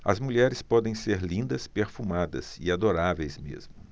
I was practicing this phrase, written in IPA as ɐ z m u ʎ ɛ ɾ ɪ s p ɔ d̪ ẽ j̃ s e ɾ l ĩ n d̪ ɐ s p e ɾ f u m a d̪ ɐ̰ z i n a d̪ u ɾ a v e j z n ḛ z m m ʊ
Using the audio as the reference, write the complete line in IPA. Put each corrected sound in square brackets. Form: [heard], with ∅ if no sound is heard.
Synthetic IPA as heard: ɐ z m u ʎ ɛ ɾ ɪ s p ɔ d̪ ẽ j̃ s e ɾ l ĩ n d̪ ɐ s p e ɾ f u m a d̪ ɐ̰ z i [∅] a d̪ [o] ɾ a v e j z [m] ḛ z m m ʊ